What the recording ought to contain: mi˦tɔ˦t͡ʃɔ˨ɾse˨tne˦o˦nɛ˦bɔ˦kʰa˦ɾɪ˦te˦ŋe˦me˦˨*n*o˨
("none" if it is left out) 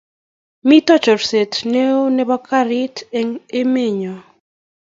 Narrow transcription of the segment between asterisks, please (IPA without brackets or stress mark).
ɲ